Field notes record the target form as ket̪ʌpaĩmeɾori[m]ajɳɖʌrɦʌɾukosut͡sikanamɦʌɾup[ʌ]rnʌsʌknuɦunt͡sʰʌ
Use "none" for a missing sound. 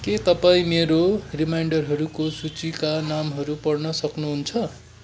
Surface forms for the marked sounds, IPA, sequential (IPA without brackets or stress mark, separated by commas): m, ʌ